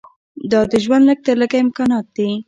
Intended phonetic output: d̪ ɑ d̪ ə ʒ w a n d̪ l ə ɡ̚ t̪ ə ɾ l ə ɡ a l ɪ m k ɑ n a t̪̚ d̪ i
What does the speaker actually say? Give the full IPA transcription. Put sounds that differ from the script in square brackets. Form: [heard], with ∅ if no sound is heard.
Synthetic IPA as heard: d̪ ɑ d̪ ə ʒ w a n d̪ l ə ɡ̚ t̪ ə ɾ l ə ɡ a [∅] ɪ m k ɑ n [ɑ] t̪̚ d̪ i